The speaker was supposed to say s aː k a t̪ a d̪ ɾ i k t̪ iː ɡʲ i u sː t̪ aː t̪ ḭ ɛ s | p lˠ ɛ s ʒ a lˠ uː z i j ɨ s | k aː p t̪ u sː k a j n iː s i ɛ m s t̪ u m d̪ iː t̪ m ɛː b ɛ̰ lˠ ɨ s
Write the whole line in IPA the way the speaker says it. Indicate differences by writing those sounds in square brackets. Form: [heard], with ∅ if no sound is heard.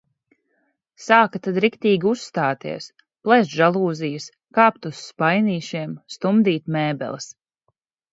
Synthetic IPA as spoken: s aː k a t̪ a d̪ ɾ i k t̪ iː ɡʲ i u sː t̪ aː t̪ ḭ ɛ s | p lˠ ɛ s ʒ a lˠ uː z i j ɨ s | k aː p t̪ u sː [p] a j n iː [ʃ] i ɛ m s t̪ u m d̪ iː t̪ m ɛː b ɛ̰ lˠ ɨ s